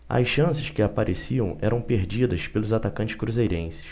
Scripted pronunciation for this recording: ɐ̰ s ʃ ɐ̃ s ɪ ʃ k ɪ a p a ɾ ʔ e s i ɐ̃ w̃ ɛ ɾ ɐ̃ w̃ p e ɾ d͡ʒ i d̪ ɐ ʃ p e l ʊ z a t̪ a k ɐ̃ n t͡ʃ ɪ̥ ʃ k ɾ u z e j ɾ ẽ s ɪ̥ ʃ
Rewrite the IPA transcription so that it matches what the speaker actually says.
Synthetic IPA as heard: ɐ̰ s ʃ ɐ̃ s ɪ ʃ k ɪ a p a ɾ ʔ e s i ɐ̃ w̃ ɛ ɾ ɐ̃ w̃ p e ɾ d͡ʒ i d̪ ɐ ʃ p e l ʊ z a t̪ a k ɐ̃ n t͡ʃ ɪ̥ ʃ k ɾ u z e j ɾ ẽ s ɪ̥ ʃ